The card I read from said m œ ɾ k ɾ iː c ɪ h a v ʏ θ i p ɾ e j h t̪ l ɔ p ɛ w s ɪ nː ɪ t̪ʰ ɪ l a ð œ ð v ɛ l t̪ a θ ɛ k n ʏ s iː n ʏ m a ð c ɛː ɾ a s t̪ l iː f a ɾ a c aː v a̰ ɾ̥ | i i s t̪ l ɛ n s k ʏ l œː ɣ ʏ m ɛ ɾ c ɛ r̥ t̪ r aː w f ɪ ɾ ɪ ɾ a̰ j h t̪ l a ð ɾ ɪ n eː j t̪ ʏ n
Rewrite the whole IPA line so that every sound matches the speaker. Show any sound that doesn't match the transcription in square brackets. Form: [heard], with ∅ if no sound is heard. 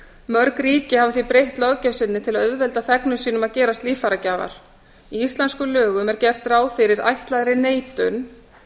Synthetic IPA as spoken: m œ ɾ k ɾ iː c ɪ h a v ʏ θ i p ɾ e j h t̪ l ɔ [c] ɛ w s ɪ nː ɪ t̪ʰ ɪ l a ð œ ð v ɛ l t̪ a θ ɛ k n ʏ s iː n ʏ m a ð c ɛː ɾ a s t̪ l iː f a ɾ a c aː v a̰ ɾ̥ | i i s t̪ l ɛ n s k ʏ l œː ɣ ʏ m ɛ ɾ c ɛ r̥ t̪ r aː w f ɪ ɾ ɪ ɾ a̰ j h t̪ l a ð ɾ ɪ n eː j t̪ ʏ n

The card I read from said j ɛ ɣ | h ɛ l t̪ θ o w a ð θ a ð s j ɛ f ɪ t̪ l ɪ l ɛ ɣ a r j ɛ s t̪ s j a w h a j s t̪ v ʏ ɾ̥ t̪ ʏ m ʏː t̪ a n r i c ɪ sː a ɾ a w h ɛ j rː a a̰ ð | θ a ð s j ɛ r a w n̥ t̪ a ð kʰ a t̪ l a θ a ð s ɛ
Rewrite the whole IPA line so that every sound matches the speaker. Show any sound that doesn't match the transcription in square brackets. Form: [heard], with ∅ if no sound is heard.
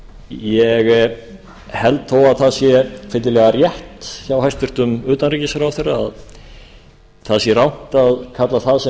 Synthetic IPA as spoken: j ɛ ɣ | h ɛ l t̪ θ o w a ð θ a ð s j ɛ f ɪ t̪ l ɪ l ɛ ɣ a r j ɛ [h] t̪ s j a w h a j s t̪ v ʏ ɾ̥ t̪ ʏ m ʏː t̪ a n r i c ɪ [s] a ɾ a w [θ] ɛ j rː a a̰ ð | θ a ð s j ɛ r a w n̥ t̪ a ð kʰ a t̪ l a θ a ð s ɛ

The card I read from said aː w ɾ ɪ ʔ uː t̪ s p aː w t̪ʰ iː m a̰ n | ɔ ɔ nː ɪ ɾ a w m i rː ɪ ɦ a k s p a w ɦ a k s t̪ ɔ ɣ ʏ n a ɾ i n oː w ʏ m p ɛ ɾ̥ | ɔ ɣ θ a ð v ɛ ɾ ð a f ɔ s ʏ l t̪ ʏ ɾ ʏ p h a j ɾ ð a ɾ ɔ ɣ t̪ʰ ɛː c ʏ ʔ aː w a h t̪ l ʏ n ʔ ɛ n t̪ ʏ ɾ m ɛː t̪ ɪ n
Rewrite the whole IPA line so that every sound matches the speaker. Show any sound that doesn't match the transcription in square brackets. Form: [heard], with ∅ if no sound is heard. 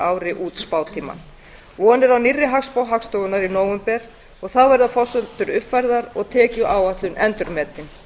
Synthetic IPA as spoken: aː w ɾ ɪ ʔ uː t̪ s p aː w t̪ʰ iː m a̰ n | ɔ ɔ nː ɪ ɾ a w [n] i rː ɪ ɦ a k s p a w ɦ a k s t̪ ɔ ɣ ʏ n a ɾ i n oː w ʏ m p ɛ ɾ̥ | ɔ ɣ θ a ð v ɛ ɾ ð a f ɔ s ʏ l t̪ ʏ ɾ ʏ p [f] a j ɾ ð a ɾ ɔ ɣ t̪ʰ ɛː c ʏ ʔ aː w a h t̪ l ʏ n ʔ ɛ n t̪ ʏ ɾ m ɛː t̪ ɪ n

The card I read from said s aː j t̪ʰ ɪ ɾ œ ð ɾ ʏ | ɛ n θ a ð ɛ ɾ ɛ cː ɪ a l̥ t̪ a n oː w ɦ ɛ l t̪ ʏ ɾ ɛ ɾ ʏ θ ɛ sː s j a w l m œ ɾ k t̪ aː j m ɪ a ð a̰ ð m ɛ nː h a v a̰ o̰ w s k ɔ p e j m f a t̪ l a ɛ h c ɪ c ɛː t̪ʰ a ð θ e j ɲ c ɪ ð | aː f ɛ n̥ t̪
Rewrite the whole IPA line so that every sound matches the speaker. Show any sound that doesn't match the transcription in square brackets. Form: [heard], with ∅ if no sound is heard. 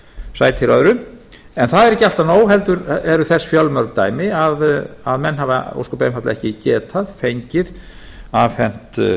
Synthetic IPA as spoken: s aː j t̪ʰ ɪ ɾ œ ð ɾ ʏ | ɛ n θ a ð ɛ ɾ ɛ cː ɪ a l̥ t̪ a n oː w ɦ ɛ l t̪ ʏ ɾ ɛ ɾ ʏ θ ɛ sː [f] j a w l m œ ɾ k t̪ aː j m ɪ a ð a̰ ð m ɛ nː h a v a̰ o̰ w s k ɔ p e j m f a t̪ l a ɛ h c ɪ c ɛː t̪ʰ a ð [f] e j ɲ c ɪ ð | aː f ɛ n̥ t̪

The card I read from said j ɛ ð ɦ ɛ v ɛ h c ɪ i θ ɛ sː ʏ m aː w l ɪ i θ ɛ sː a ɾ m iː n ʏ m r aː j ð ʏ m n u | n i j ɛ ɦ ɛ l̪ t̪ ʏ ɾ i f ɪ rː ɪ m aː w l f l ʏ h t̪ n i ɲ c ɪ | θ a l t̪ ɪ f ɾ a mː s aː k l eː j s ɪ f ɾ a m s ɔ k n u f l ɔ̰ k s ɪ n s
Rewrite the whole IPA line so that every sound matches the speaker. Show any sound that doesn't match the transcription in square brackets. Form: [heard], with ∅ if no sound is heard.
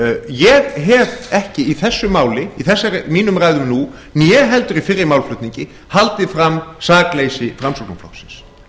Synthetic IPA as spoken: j ɛ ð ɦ ɛ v ɛ h c ɪ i θ ɛ sː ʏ m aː w l ɪ i θ ɛ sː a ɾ m iː n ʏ m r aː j ð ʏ m n u | n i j ɛ ɦ ɛ l̪ t̪ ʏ ɾ i f ɪ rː ɪ m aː w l f l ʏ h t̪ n i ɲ c ɪ | [h] a l t̪ ɪ f ɾ a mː s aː k l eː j s ɪ f ɾ a m s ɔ k n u f l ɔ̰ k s ɪ n s

